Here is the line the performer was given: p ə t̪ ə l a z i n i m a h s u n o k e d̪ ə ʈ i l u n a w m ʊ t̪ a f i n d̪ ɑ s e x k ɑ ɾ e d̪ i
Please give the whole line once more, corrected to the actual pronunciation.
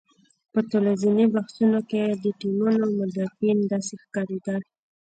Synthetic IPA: p ə t̪ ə l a z i n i b a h s u n o k e d̪ ə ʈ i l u n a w m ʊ d̪ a f i n d̪ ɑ s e x k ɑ ɾ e d̪ a